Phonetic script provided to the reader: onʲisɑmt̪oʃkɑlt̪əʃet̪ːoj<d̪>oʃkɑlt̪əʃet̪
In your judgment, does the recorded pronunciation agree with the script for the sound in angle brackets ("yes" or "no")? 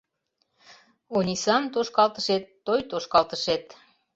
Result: no